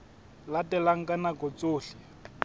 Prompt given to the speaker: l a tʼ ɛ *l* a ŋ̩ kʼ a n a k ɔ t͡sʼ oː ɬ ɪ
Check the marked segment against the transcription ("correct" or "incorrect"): correct